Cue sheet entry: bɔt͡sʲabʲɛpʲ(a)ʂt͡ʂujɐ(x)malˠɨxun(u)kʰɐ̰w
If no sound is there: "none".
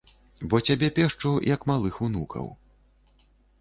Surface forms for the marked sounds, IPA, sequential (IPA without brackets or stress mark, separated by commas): ɛ, k, u